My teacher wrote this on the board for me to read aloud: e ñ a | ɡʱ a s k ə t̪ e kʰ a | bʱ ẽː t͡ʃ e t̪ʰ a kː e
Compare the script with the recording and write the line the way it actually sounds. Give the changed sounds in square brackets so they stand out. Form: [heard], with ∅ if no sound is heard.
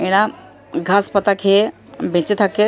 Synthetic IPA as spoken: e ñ a | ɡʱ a s [p] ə t̪ [a] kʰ [e] | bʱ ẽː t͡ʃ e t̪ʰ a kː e